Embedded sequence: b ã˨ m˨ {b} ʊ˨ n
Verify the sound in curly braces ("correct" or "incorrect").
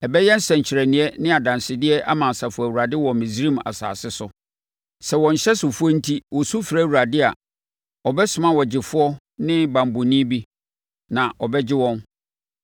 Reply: correct